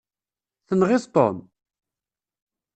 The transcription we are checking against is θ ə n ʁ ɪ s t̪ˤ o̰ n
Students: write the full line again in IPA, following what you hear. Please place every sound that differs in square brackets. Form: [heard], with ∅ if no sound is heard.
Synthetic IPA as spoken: θ ə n ʁ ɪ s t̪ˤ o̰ [m]